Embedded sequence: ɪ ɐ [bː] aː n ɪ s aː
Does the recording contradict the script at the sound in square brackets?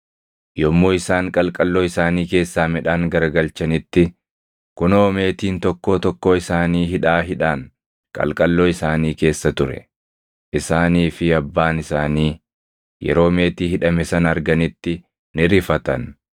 no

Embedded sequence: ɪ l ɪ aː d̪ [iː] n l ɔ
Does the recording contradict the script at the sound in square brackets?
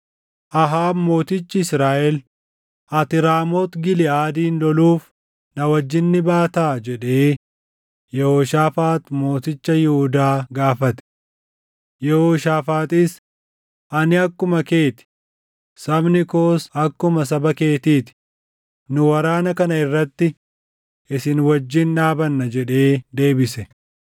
no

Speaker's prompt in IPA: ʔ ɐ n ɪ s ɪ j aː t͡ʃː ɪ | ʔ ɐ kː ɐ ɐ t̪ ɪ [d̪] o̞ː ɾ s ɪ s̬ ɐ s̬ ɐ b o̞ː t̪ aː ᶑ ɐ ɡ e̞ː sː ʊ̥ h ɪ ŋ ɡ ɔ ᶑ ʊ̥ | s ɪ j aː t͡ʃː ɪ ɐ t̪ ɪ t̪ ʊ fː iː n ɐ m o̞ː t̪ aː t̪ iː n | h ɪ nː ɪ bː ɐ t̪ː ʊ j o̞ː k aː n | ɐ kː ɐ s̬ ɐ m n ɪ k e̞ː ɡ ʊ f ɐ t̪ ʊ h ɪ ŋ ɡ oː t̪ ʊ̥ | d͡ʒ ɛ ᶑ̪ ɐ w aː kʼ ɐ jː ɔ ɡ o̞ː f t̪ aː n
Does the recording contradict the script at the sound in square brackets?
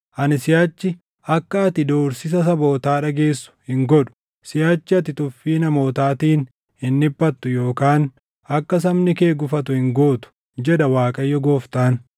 no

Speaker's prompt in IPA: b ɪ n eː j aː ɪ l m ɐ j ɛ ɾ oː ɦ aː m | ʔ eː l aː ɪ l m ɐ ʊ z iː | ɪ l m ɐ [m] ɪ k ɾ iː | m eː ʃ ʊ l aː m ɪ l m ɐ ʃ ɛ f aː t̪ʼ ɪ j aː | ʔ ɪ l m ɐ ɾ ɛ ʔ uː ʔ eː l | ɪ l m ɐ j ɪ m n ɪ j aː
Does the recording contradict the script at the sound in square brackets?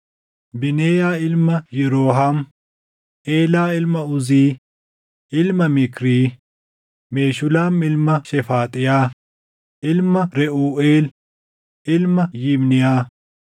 no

